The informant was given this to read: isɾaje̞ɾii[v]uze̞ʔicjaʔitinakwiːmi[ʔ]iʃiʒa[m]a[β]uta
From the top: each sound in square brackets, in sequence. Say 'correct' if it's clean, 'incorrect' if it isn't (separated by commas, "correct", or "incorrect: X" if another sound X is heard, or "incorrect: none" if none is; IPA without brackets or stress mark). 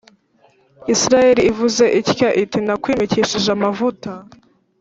correct, incorrect: c, correct, incorrect: v